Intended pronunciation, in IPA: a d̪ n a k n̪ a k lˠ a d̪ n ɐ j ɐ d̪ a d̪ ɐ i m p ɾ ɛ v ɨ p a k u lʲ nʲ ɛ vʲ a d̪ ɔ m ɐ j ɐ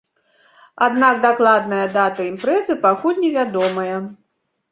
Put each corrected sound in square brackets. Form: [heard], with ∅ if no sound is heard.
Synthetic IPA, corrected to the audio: a d̪ n a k [d̪] a k lˠ a d̪ n ɐ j ɐ d̪ a [t̪] ɐ i m p ɾ ɛ [z] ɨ p a k u lʲ nʲ ɛ vʲ a d̪ ɔ m ɐ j ɐ